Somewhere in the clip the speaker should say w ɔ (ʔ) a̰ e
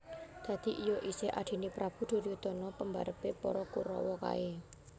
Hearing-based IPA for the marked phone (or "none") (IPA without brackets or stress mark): k